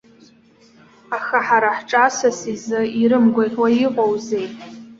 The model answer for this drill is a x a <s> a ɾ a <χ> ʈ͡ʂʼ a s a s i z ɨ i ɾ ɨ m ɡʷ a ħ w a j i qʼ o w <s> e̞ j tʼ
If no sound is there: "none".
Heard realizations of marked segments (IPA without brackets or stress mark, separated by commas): ħ, ħ, z